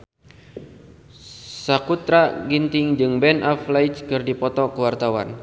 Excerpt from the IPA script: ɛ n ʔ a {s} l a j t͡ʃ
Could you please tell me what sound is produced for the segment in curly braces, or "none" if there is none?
f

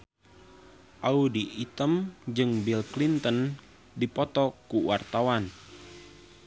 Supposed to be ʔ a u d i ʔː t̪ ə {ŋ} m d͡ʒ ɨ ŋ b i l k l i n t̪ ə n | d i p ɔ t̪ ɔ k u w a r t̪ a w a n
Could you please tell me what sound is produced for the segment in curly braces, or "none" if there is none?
none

